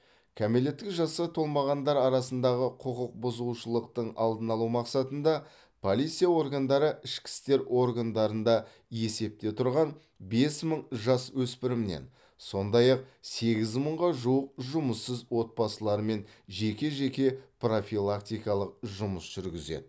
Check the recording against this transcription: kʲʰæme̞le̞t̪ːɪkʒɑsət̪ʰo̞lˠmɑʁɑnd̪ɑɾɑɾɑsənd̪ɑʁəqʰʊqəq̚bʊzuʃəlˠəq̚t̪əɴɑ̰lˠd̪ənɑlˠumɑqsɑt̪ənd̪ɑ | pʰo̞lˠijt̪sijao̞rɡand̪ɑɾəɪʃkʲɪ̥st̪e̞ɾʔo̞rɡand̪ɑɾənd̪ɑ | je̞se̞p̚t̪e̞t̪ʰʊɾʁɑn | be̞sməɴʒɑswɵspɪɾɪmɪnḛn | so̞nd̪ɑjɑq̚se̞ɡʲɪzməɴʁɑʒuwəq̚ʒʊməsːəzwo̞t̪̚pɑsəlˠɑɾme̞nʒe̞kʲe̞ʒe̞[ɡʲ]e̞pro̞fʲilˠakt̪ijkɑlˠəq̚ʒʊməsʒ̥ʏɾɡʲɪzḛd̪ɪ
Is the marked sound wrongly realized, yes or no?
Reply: yes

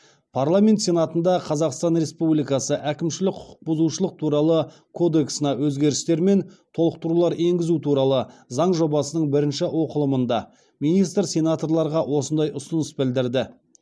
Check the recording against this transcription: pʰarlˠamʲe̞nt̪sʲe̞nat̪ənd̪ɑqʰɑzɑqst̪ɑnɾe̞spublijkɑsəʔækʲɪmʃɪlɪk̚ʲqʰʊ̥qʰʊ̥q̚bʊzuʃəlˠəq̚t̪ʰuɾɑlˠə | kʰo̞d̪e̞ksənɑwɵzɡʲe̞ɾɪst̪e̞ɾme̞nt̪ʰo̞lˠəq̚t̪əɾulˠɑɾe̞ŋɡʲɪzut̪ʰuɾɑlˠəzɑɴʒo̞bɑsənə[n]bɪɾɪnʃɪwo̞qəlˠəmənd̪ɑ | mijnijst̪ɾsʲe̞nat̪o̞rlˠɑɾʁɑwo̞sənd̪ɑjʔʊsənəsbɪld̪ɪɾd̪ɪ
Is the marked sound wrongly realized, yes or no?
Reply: yes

